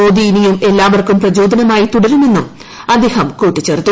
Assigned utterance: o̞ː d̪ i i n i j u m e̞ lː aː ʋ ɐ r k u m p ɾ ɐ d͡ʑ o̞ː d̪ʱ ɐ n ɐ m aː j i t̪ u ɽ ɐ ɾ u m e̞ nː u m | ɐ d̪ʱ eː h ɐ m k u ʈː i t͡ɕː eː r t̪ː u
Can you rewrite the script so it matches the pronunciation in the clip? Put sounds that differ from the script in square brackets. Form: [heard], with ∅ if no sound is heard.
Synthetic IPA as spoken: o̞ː d̪ i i n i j u m e̞ lː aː ʋ ɐ r k u m p [r] ɐ d͡ʑ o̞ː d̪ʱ ɐ n ɐ m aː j i t̪ u ɽ ɐ ɾ u m e̞ nː u m | ɐ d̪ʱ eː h ɐ m k [uː] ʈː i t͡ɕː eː r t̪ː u